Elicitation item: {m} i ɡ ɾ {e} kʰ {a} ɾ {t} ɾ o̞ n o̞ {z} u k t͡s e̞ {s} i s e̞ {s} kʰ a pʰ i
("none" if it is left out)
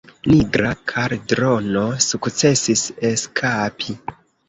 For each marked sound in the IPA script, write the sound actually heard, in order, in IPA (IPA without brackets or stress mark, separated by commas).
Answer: n, a, a, d, s, s, s